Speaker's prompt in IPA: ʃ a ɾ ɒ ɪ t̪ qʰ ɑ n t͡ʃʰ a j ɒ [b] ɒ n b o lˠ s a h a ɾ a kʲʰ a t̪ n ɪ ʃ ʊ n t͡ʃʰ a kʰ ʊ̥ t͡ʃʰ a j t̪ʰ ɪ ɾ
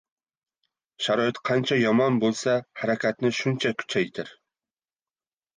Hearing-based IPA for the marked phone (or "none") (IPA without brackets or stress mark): m